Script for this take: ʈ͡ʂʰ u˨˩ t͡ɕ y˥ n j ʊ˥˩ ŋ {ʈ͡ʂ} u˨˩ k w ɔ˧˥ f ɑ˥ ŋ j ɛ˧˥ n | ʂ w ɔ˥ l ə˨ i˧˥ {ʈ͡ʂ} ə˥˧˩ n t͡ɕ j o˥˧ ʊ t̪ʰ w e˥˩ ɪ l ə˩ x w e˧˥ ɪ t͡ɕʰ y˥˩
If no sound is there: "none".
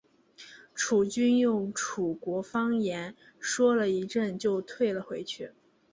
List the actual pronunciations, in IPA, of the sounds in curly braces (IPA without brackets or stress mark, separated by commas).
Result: ʈ͡ʂʰ, ʈ͡ʂ